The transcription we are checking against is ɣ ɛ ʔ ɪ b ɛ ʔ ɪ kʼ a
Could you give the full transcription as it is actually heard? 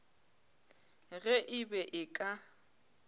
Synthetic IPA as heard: ɣ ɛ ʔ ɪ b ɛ ʔ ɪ kʼ a